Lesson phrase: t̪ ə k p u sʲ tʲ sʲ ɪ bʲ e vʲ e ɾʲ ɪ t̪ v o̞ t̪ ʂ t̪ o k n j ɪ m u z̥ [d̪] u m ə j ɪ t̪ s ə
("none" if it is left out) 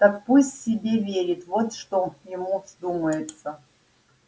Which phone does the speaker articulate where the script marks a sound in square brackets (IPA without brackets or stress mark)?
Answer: d̪